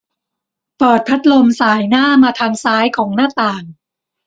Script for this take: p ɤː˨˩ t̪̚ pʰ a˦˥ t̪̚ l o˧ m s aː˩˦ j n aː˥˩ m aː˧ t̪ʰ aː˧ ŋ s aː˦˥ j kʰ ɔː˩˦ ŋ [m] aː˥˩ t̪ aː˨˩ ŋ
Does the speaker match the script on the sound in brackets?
no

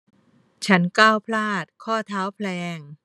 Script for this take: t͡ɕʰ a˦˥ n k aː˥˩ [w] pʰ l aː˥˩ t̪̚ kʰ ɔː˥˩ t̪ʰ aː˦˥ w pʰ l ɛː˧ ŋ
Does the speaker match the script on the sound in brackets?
yes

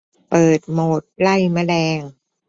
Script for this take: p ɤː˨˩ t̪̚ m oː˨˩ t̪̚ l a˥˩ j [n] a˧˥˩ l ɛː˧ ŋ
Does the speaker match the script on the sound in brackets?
no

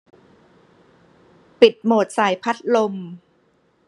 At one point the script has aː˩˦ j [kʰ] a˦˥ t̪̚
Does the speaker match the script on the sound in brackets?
no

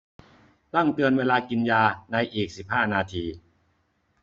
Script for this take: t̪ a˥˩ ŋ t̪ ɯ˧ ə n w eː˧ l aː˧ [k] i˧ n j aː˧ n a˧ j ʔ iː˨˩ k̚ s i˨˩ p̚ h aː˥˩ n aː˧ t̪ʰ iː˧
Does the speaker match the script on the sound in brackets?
yes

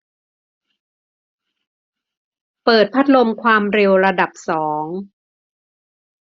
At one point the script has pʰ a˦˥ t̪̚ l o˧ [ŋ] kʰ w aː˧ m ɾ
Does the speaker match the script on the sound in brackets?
no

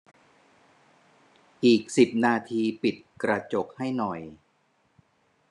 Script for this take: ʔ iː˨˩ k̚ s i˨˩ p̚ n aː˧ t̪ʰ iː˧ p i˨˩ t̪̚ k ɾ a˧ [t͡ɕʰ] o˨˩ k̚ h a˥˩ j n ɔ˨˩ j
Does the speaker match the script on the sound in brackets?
no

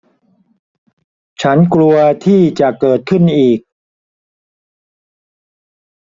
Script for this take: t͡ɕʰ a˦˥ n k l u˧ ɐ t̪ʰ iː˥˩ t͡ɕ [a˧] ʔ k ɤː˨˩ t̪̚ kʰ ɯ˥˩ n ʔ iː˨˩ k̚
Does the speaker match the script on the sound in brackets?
no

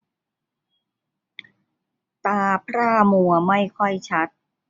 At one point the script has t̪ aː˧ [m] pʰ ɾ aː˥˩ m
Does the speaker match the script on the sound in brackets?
no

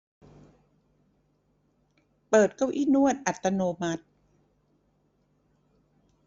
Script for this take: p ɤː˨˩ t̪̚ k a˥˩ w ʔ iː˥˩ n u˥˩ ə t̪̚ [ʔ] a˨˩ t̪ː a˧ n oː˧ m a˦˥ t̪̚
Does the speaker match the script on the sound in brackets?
yes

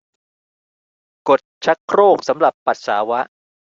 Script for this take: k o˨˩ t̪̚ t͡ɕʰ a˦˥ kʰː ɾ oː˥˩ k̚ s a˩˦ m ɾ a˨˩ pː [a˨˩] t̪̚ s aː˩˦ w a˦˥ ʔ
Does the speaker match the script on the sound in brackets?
yes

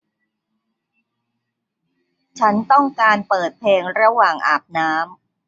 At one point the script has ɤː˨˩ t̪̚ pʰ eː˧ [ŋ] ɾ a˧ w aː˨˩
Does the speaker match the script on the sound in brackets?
yes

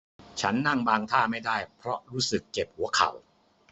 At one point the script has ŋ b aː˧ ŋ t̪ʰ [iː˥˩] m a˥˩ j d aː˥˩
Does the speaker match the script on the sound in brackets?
no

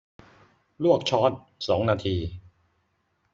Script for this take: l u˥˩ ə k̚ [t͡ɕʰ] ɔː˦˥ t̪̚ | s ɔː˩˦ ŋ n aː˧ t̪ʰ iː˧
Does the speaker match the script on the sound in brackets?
yes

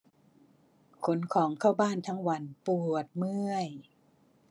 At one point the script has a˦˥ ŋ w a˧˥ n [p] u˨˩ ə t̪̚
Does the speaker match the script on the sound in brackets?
yes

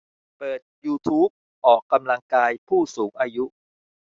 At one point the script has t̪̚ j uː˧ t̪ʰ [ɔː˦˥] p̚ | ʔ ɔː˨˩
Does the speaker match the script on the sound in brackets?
no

